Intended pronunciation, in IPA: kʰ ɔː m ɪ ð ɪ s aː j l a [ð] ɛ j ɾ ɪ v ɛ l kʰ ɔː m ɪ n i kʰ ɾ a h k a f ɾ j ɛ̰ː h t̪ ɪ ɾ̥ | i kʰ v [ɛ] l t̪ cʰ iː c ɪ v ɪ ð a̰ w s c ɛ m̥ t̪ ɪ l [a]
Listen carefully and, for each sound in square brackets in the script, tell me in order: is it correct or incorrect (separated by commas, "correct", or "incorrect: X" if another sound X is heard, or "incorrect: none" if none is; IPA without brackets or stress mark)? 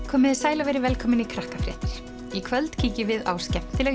incorrect: v, incorrect: œ, incorrect: ɛ